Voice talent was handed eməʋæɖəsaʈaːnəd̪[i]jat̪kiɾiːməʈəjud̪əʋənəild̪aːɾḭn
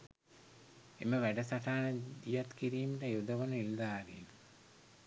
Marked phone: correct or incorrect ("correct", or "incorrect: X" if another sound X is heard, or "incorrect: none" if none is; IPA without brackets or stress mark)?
correct